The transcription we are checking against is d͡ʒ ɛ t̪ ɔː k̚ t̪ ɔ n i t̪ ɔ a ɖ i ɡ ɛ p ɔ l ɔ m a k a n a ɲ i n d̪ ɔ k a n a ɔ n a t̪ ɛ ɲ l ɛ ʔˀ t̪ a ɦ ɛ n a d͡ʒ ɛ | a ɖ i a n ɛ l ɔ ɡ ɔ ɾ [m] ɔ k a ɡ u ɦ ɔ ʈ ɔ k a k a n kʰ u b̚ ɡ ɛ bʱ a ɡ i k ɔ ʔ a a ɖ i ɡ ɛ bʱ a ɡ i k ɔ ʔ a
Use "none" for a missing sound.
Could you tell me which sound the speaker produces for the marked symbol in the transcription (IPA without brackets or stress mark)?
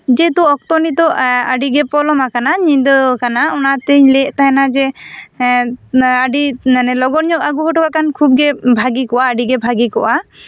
ɲ